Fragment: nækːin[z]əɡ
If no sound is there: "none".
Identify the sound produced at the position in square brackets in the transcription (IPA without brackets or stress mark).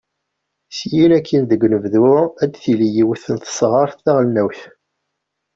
ð